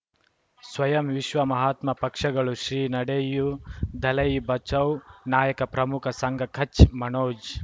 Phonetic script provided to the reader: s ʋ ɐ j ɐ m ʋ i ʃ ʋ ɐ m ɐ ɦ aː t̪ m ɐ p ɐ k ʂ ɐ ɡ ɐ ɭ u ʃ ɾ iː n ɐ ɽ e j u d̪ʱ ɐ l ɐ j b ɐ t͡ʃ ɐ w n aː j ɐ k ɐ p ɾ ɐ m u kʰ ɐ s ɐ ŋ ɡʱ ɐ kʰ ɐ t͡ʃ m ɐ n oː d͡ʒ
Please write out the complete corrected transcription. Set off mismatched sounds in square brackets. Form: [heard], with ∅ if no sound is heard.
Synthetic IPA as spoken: s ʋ ɐ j ɐ m ʋ i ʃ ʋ ɐ m ɐ ɦ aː t̪ m ɐ p ɐ k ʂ ɐ ɡ ɐ ɭ u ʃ ɾ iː n ɐ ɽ e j u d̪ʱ ɐ l ɐ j b ɐ t͡ʃ ɐ w n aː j ɐ k ɐ p ɾ ɐ m u kʰ ɐ s ɐ ŋ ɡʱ ɐ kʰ ɐ t͡ʃ m ɐ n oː d͡ʒ